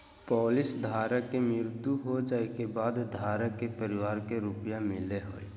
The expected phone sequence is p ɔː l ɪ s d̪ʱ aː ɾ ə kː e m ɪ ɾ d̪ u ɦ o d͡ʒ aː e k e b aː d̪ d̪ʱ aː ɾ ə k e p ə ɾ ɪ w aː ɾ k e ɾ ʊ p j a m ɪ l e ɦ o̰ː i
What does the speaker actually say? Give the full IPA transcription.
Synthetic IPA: p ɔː l ɪ s d̪ʱ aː ɾ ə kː e m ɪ ɾ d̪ u ɦ o d͡ʒ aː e k e b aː d̪ d̪ʱ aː ɾ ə k e p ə ɾ ɪ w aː ɾ k e ɾ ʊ p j a m ɪ l e ɦ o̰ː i